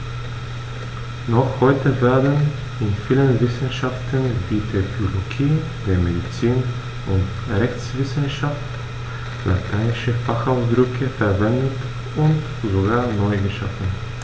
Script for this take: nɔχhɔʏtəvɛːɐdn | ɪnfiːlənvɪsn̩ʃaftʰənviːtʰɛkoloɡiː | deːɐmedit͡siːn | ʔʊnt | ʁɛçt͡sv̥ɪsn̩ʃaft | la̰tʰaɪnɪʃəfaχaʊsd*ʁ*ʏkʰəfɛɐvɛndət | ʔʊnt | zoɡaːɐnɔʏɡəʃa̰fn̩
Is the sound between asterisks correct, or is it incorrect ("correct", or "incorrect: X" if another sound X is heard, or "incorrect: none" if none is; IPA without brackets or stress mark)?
correct